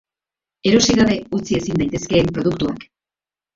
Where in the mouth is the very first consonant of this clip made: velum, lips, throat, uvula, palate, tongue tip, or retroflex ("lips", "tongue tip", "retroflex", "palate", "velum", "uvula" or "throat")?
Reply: tongue tip